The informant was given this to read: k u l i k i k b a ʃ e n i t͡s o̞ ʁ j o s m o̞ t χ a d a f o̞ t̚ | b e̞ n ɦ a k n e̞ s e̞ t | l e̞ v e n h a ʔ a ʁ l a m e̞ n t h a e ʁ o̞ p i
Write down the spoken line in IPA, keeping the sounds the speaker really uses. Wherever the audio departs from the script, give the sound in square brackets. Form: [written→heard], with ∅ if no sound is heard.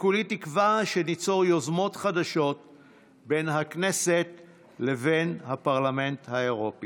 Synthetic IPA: k u l i [k→t] i k [b→v] a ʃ e n i t͡s o̞ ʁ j o [s→z] m o̞ t χ a d a [f→ʃ] o̞ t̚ | b e̞ n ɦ a k n e̞ s e̞ t | l e̞ v e n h a [ʔ→p] a ʁ l a m e̞ n t h a e ʁ o̞ p i

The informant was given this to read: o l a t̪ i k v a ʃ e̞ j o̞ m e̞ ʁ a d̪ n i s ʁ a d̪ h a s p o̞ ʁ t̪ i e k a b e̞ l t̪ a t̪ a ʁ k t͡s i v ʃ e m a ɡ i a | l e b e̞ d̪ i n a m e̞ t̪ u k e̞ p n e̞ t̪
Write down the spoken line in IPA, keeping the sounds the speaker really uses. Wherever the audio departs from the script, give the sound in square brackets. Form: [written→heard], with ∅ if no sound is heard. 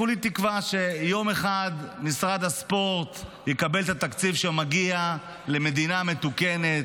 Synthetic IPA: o l [a→i] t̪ i k v a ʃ e̞ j o̞ m e̞ [ʁ→χ] a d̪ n i s ʁ a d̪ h a s p o̞ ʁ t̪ [i→j] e k a b e̞ l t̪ a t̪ a [ʁ→∅] k t͡s i v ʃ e m a ɡ i a | l e [b→m] e̞ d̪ i n a m e̞ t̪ u k e̞ [p→∅] n e̞ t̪

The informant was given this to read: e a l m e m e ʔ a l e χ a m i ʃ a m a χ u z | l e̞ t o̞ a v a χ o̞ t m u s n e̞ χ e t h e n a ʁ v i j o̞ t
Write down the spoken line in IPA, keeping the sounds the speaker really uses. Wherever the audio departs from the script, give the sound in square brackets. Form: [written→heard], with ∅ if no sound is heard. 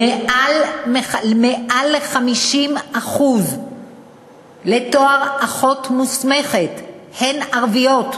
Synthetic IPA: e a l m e m e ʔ a l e χ a m i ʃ [a→i] m a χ u z | l e̞ t o̞ a [v→ʁ] a χ o̞ t m u s [n→m] e̞ χ e t h e n a ʁ v i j o̞ t

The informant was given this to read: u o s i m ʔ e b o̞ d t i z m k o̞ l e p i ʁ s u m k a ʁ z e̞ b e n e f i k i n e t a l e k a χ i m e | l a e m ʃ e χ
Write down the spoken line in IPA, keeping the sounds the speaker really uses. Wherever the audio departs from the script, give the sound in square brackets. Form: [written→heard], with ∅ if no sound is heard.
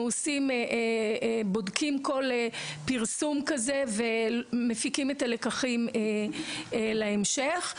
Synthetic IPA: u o s i m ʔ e b o̞ d [t→k] i [z→∅] m k o̞ l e p i ʁ s u m k a [ʁ→∅] z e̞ [b→v] e [n→m] e f i k i [n→m] e t a l e k a χ i m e | l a e m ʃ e χ

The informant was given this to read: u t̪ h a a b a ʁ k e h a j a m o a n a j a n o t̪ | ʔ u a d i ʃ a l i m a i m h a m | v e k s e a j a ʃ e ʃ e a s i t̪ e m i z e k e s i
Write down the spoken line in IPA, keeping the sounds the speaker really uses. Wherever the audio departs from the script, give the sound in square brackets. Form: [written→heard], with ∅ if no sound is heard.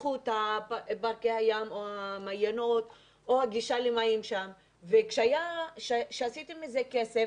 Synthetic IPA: u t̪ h a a b a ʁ k e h a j a m o a [n→m] a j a n o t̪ | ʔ [u→o] a [d→ɡ] i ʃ a l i m a i m [h→ʃ] a m | v e k [s→ʃ] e a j a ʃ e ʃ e a s i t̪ e m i z e k e s [i→e]

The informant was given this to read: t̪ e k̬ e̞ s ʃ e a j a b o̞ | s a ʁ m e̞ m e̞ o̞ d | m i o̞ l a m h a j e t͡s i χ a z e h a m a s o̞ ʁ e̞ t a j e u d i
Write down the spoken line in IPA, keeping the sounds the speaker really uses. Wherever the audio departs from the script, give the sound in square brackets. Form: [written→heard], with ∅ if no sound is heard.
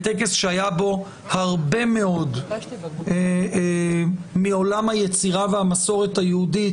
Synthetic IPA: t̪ e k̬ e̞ s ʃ e a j a b o̞ | [s→h] a ʁ [m→b] e̞ m e̞ o̞ d | m i o̞ l a m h a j e t͡s i [χ→ʁ] a [z→v] e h a m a s o̞ ʁ e̞ t a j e u d i

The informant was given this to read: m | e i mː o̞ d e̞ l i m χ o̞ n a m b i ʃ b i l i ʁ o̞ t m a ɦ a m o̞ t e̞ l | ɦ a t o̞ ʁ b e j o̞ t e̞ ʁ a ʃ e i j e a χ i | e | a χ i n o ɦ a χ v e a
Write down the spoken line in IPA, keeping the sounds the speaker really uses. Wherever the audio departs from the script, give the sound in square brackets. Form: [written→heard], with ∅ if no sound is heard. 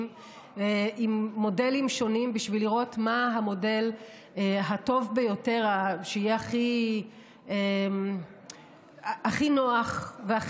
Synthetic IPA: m | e i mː o̞ d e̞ l i m [χ→ʃ] o̞ n [a→i] m b i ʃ [b→v] i l i ʁ o̞ t m a ɦ a m o̞ [t→d] e̞ l | ɦ a t o̞ [ʁ→v] b e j o̞ t e̞ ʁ a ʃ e i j e a χ i | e | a χ i n o [ɦ→∅] a χ v e a

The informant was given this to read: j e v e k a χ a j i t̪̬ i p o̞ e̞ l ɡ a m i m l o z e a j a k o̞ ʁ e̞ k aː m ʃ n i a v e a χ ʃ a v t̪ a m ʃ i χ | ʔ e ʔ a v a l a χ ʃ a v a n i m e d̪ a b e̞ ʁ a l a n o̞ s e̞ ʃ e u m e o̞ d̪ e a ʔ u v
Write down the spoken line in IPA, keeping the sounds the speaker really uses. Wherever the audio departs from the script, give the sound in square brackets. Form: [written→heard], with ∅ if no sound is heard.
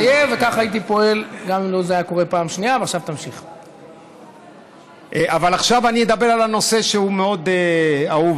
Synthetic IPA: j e v e k a χ a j i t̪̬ i p o̞ e̞ l ɡ a m i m l o z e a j a k o̞ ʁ e̞ [k→p] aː m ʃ n i a v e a χ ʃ a v t̪ a m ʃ i χ | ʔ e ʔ a v a l a χ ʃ a v a n i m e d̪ a b e̞ ʁ a l a n o̞ s e̞ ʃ e u m e o̞ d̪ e a [ʔ→∅] u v

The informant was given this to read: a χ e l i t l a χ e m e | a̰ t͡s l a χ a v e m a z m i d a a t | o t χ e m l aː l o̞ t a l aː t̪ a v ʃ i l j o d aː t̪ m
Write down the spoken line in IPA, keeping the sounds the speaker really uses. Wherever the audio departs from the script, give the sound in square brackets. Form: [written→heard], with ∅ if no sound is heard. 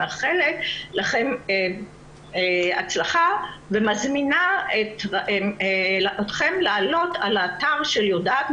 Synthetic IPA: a χ e l [i→e] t l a χ e m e | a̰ t͡s l a χ a v e m a z m i [d→n] a [a→e] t | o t χ e m l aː l o̞ t a l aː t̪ a [v→ʁ] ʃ [i→e] l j o d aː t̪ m

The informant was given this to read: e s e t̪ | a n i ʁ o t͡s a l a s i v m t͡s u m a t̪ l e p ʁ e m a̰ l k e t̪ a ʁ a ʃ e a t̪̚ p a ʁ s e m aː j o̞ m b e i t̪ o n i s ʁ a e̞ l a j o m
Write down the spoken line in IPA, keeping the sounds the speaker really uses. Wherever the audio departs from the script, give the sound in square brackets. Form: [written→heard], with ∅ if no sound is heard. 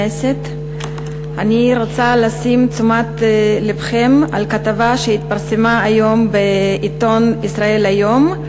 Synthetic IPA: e s e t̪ | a n i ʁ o t͡s a l a s i [v→∅] m t͡s u m a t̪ l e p [ʁ→χ] e m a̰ l k [e→a] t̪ a [ʁ→v] a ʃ e [a→i] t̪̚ p a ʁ s e m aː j o̞ m b e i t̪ o n i s ʁ a e̞ l a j o m

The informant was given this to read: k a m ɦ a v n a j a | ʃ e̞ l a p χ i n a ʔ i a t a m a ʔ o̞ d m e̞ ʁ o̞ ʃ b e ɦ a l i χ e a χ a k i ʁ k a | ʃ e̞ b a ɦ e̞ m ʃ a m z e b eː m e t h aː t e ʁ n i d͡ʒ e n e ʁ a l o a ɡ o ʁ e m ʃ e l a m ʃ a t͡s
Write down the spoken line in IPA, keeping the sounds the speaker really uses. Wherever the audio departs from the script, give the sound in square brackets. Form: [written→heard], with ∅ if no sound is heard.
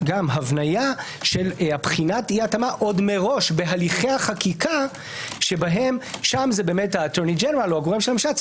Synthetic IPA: [k→ɡ] a m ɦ a v n a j a | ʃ e̞ l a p χ i n a [ʔ→t] i a t a m a ʔ o̞ d m e̞ ʁ o̞ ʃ b e ɦ a l i χ e a χ a k i [ʁ→∅] k a | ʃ e̞ b a ɦ e̞ m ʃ a m z e b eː m e t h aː t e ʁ n i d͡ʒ e n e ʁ a l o a ɡ o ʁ e m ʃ e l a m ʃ a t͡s

